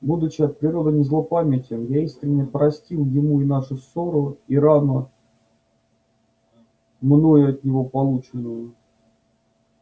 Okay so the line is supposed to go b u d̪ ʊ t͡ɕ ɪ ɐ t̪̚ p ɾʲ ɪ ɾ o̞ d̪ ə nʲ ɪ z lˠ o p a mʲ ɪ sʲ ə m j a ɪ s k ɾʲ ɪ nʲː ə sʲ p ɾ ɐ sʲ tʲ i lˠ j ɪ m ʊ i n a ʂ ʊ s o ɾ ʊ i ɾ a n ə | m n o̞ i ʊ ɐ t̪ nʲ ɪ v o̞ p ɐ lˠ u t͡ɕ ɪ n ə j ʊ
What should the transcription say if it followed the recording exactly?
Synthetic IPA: b u d̪ ʊ t͡ɕ ɪ ɐ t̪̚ p ɾʲ ɪ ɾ o̞ d̪ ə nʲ ɪ z lˠ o p a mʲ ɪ tʲ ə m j a i s k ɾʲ ɪ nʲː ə p ɾ ɐ sʲ tʲ i lˠ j ɪ m u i n a ʂ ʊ s o ɾ ʊ i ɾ a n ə | m n o̞ j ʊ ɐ t̪ nʲ ɪ v o̞ p ɐ lˠ u t͡ɕ ɪ n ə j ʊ